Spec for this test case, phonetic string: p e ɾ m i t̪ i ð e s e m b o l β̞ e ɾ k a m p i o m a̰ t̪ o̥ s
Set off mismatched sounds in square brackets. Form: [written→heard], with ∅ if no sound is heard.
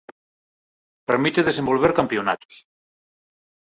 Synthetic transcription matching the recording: p e ɾ m i t̪ [i→e] ð e s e m b o l β̞ e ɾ k a m p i o [m→n] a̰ t̪ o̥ s